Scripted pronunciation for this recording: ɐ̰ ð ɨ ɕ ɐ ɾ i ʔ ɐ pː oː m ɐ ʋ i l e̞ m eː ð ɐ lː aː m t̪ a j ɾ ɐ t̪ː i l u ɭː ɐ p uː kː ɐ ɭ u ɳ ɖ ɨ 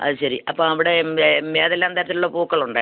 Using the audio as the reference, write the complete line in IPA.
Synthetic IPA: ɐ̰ ð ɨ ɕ ɐ ɾ i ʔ ɐ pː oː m ɐ ʋ i ɽ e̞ m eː ð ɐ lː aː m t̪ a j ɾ ɐ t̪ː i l u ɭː ɐ p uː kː ɐ ɭ u ɳ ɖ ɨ